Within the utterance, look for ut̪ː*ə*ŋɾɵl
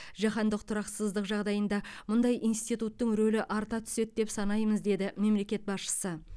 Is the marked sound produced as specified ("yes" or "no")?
yes